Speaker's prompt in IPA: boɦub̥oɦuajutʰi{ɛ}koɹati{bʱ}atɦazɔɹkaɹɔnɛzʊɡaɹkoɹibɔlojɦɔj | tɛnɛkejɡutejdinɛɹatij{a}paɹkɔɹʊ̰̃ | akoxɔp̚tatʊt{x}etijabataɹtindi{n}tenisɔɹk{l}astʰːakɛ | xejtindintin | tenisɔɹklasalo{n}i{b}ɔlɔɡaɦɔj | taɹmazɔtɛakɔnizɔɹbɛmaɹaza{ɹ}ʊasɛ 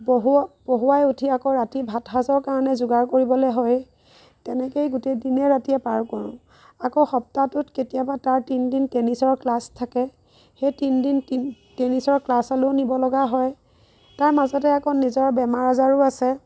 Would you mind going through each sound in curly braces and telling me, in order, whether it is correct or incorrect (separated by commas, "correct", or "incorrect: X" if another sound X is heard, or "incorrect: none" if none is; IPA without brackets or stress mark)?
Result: incorrect: a, correct, incorrect: ɛ, incorrect: k, correct, correct, correct, correct, correct